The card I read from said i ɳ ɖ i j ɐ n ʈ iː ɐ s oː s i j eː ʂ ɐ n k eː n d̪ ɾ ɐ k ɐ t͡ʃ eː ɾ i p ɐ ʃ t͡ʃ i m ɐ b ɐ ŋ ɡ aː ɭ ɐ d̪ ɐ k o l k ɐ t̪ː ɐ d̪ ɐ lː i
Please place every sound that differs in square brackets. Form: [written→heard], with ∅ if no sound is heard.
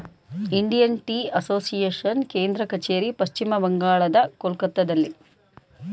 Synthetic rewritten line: i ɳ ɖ i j ɐ n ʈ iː ɐ s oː s i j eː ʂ ɐ n k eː n d̪ ɾ ɐ k ɐ t͡ʃ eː ɾ i p ɐ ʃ t͡ʃ i m ɐ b ɐ ŋ ɡ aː ɭ ɐ d̪ ɐ k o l k ɐ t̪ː ɐ d̪ ɐ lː i